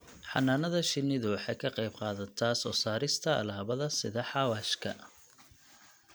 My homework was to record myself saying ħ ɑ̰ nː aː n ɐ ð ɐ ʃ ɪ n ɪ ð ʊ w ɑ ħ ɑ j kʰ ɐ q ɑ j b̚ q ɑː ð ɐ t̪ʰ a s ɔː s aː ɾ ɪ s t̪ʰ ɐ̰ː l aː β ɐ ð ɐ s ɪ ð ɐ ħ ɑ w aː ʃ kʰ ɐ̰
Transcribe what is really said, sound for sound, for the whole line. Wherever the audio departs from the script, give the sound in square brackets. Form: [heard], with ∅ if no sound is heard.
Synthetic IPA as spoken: ħ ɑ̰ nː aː n ɐ ð ɐ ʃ ɪ n ɪ ð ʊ w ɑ ħ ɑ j kʰ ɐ q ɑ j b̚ q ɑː ð ɐ t̪ʰ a s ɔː s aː ɾ ɪ s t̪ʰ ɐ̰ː l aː β ɐ ð ɐ s ɪ ð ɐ ħ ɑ w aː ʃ kʰ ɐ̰